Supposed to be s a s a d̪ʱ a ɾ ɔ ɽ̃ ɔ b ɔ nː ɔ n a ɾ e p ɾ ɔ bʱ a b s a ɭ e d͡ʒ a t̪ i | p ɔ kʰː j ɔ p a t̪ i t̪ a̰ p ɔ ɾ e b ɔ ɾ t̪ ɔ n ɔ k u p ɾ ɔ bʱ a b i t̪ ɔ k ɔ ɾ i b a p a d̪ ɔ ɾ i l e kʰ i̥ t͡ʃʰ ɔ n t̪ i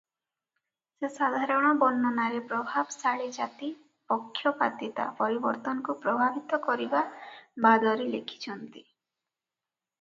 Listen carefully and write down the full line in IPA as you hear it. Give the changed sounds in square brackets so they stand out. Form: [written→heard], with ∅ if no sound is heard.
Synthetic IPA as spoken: s [a→e] s a d̪ʱ a ɾ ɔ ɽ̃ ɔ b ɔ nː ɔ n a ɾ e p ɾ ɔ bʱ a b s a ɭ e d͡ʒ a t̪ i | p ɔ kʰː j ɔ p a t̪ i t̪ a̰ p ɔ ɾ [e→i] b ɔ ɾ t̪ ɔ n ɔ k u p ɾ ɔ bʱ a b i t̪ ɔ k ɔ ɾ i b a [p→b] a d̪ ɔ ɾ i l e kʰ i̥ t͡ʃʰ ɔ n t̪ i